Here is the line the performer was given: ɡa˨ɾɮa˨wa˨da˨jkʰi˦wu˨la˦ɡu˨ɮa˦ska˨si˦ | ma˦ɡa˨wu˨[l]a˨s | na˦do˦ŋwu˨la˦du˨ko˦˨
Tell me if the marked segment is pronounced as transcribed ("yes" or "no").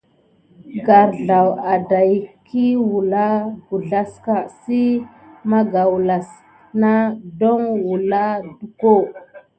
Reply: yes